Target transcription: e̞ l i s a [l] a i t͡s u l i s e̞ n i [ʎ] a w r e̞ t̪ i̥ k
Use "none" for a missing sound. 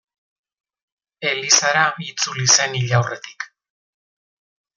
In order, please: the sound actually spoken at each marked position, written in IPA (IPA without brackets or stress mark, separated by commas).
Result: ɾ, ʎ